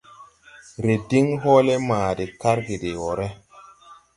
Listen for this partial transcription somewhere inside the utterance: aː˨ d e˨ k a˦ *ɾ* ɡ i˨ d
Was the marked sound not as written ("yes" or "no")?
no